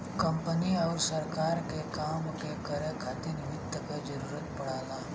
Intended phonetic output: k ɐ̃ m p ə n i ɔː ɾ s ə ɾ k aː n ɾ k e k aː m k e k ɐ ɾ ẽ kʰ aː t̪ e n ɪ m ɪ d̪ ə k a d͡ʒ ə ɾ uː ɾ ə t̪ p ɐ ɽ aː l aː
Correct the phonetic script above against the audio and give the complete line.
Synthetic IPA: k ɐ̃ m p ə n i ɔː ɾ s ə ɾ k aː ɾ k e k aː m k e k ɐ ɾ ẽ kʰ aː t̪ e n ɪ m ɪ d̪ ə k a d͡ʒ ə ɾ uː ɾ ə t̪ p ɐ ɽ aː l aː